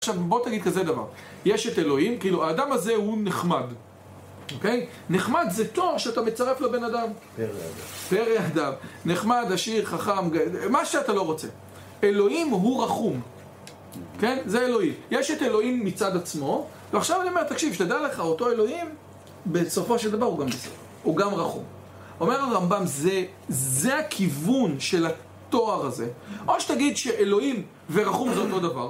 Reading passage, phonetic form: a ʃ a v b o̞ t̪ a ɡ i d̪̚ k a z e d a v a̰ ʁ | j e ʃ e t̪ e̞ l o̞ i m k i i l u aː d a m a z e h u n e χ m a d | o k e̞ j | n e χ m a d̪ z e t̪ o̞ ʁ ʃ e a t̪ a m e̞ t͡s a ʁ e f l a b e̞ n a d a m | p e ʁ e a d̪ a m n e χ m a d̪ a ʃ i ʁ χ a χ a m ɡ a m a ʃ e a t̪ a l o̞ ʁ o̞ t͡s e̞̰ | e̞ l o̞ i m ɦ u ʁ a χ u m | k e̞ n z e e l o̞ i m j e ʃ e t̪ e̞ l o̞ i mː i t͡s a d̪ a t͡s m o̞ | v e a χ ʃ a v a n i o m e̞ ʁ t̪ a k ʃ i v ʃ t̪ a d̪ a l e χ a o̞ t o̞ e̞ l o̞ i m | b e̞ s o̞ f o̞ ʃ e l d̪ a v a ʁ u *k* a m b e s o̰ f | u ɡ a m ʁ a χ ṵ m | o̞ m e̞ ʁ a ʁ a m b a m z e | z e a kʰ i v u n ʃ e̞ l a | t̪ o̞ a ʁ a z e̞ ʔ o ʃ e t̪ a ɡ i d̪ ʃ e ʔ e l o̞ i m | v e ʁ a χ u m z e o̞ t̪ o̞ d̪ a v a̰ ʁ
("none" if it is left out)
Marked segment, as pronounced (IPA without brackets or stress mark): ɡ